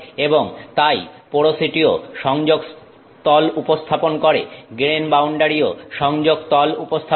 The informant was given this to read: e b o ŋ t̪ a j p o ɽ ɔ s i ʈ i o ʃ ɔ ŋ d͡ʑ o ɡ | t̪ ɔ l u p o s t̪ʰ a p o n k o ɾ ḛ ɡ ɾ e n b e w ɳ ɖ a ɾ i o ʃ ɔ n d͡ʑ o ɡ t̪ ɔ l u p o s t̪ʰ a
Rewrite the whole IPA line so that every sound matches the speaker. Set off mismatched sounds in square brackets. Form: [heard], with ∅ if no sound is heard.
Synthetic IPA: e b o ŋ t̪ a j p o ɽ [o] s i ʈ i o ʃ ɔ ŋ d͡ʑ o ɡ | t̪ ɔ l u p o s t̪ʰ a p o n k o ɾ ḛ ɡ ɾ e n b [a] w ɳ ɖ a ɾ i o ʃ ɔ [ŋ] d͡ʑ o ɡ t̪ ɔ l u p o s t̪ʰ a